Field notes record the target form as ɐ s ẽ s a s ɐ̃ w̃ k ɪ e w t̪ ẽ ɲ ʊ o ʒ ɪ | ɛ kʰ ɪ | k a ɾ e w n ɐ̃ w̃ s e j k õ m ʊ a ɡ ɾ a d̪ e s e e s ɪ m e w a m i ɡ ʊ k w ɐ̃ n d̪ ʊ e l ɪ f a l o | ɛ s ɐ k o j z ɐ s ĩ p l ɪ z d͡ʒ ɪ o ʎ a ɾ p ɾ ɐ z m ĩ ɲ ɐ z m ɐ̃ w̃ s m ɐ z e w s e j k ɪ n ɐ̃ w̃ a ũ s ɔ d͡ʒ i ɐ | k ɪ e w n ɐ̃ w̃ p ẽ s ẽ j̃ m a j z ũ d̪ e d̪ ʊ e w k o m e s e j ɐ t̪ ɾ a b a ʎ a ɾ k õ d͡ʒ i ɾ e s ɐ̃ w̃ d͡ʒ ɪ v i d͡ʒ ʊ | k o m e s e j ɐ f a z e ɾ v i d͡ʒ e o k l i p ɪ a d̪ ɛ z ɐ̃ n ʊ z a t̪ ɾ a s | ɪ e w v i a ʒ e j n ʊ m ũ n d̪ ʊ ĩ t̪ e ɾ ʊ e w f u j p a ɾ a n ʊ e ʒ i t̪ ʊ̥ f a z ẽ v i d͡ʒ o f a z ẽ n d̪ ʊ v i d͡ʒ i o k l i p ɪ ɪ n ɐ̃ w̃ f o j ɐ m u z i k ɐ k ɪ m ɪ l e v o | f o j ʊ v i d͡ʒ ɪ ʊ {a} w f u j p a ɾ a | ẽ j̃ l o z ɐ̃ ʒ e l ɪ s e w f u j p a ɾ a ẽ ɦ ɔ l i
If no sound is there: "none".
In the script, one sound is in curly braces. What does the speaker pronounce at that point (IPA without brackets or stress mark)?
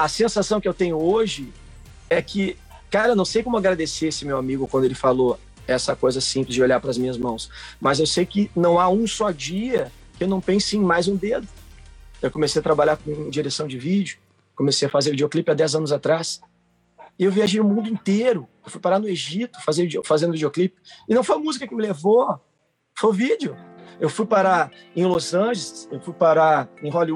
e